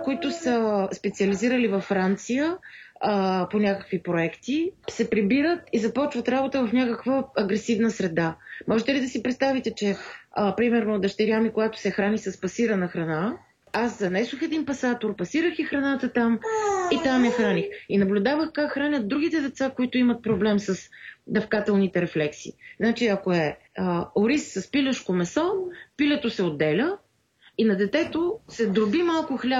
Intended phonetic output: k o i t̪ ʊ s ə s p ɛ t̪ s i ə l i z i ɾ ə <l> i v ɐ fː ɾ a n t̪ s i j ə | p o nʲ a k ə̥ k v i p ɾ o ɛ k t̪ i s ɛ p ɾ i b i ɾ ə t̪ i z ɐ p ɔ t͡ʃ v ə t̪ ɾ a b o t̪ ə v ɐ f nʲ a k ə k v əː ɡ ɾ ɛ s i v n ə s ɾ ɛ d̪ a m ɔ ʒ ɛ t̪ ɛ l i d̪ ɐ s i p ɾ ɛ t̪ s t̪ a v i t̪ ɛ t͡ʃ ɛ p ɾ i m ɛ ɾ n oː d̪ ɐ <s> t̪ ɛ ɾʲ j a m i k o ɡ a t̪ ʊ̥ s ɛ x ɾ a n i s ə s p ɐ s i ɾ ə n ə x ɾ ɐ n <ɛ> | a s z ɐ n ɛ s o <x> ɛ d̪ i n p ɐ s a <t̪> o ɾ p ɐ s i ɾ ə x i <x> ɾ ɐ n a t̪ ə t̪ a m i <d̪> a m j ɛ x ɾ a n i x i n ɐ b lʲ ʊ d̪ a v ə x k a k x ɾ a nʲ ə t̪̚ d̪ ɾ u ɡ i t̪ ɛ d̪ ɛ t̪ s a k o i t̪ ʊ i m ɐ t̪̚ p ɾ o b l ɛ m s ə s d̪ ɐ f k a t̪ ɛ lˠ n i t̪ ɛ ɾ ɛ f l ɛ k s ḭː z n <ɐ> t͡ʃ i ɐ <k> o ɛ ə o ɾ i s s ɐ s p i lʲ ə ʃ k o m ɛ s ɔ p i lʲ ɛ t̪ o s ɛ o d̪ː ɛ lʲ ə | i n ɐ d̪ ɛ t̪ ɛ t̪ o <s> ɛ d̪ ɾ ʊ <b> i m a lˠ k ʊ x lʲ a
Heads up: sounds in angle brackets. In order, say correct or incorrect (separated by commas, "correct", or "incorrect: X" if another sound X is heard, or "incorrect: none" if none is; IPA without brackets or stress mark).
correct, incorrect: ʃ, incorrect: a, correct, correct, correct, incorrect: t̪, incorrect: a, correct, correct, correct